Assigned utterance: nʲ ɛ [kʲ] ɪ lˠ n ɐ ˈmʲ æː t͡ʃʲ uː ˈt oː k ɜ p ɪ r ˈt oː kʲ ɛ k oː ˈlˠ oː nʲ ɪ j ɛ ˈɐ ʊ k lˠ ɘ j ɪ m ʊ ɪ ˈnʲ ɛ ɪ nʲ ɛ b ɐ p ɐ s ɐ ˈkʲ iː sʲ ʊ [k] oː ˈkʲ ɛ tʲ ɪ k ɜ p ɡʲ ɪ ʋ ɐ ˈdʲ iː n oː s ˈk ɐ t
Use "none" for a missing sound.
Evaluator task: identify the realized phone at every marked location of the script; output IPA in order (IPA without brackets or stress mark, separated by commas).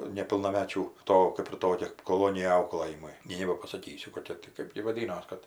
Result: pʲ, k